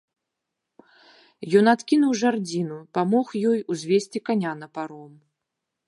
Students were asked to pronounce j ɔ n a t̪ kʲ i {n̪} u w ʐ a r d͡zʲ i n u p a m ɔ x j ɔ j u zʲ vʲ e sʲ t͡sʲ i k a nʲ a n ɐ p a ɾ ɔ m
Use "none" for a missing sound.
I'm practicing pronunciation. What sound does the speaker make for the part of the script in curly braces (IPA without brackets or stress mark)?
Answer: n̪